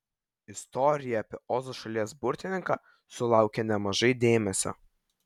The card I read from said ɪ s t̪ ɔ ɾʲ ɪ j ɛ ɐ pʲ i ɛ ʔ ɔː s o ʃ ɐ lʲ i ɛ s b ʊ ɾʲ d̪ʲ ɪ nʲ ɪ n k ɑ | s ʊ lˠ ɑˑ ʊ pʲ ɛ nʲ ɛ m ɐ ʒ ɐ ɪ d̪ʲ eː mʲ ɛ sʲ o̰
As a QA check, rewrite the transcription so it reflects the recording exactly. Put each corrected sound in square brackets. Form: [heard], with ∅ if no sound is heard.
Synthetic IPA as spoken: ɪ s t̪ ɔ ɾʲ ɪ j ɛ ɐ pʲ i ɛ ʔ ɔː [z] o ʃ ɐ lʲ i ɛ s b ʊ ɾʲ [t̪ʲ] ɪ nʲ ɪ [ŋ] k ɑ | s ʊ lˠ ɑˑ ʊ [kʲ] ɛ nʲ ɛ m ɐ ʒ ɐ ɪ d̪ʲ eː mʲ ɛ sʲ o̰